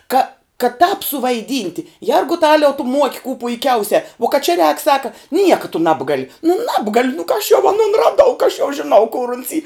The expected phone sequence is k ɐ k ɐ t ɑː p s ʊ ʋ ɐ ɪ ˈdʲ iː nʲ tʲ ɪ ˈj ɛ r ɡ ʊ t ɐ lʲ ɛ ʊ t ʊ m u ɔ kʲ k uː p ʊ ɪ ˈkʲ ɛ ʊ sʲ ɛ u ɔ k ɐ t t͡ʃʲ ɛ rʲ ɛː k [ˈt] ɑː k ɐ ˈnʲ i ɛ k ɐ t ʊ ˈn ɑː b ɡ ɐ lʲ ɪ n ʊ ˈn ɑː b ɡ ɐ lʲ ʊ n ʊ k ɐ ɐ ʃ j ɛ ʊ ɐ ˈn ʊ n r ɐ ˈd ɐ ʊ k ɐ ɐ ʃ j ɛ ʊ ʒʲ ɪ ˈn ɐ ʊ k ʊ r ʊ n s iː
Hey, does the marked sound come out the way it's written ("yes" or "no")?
no